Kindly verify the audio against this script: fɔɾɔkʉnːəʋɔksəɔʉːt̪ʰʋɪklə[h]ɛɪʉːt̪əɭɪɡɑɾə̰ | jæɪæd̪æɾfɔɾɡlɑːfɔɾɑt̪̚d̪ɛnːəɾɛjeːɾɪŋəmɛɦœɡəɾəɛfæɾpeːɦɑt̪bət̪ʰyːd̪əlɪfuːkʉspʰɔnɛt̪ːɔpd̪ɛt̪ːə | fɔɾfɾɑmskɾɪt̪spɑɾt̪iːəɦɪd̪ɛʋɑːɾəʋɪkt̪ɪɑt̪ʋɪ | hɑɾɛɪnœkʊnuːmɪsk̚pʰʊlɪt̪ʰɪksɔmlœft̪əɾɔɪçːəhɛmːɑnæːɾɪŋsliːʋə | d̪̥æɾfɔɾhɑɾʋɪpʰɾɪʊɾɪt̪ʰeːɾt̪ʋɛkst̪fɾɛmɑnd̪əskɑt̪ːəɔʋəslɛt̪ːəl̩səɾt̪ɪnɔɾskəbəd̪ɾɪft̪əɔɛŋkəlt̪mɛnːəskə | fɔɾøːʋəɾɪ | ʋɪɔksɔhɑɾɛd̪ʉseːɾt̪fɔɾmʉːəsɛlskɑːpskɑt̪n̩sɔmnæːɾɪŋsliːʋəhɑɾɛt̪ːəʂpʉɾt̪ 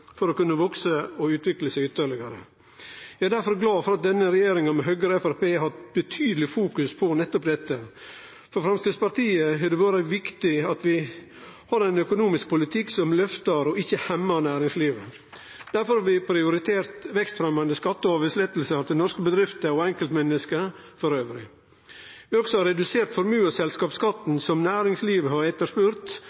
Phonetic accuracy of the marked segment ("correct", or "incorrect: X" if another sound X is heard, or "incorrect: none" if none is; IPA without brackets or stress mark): incorrect: s